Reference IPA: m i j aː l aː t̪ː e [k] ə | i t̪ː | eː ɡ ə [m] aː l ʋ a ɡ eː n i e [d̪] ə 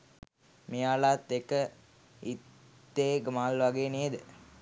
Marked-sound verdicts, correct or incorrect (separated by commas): correct, correct, correct